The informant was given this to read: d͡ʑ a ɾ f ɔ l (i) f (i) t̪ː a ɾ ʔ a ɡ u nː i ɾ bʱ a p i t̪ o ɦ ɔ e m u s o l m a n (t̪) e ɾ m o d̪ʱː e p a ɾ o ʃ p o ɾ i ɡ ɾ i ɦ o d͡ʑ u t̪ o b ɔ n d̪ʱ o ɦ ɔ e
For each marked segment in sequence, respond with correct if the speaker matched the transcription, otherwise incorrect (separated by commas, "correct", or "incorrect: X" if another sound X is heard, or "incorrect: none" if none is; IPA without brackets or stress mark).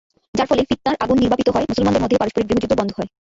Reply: incorrect: e, correct, incorrect: d̪